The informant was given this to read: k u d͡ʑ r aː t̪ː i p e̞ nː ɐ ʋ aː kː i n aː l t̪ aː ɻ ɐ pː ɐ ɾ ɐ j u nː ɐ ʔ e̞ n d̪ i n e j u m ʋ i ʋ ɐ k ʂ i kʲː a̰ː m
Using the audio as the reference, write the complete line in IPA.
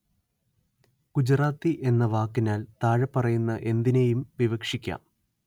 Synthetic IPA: k u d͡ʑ r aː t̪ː i ʔ e̞ nː ɐ ʋ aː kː i n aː l t̪ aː ɻ ɐ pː ɐ r ɐ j u nː ɐ ʔ e̞ n d̪ i n e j u m ʋ i ʋ ɐ k ʂ i kʲː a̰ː m